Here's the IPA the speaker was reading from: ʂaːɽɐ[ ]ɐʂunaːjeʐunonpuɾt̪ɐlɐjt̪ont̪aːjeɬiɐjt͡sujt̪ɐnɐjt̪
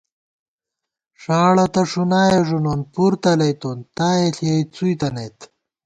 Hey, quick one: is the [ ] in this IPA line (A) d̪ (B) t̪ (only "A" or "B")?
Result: B